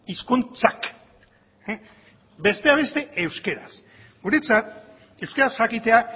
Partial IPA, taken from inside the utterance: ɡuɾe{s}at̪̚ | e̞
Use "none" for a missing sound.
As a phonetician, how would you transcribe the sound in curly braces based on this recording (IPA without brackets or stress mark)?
t͡s